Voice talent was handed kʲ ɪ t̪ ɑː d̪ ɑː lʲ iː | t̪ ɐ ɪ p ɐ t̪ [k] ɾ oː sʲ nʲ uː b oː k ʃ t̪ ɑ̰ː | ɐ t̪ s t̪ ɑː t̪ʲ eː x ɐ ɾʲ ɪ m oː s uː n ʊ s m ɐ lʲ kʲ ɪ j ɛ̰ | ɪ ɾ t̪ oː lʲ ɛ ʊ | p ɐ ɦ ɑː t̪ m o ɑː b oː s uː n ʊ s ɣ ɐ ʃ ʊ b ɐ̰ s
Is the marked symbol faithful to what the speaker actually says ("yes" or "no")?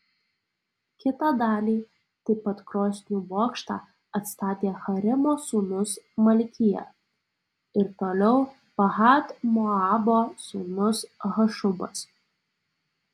yes